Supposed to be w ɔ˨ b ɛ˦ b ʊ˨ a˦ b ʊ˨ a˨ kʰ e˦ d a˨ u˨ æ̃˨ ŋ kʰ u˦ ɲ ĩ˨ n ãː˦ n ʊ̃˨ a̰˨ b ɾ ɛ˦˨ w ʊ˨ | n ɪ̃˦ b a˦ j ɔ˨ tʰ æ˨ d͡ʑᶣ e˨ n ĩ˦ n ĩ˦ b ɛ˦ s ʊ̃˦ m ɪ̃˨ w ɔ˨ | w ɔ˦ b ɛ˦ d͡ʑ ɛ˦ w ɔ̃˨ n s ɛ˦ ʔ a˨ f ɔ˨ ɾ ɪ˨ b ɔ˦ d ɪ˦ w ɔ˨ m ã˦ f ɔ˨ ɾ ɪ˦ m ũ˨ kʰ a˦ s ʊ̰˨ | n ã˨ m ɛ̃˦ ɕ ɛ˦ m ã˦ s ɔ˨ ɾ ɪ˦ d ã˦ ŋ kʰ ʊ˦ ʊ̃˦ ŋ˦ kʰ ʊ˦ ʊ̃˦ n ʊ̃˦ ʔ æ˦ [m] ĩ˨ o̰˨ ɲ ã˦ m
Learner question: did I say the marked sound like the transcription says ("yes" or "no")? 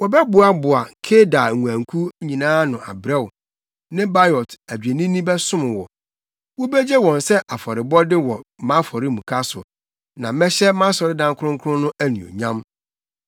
no